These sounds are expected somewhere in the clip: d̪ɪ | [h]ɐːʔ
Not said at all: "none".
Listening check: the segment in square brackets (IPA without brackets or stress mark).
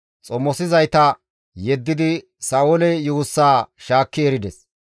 s